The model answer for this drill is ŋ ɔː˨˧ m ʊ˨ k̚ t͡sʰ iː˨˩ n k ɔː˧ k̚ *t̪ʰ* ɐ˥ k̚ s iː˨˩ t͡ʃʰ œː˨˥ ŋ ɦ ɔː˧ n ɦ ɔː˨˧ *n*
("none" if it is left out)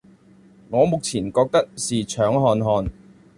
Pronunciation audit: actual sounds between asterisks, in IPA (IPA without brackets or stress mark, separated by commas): t̪, n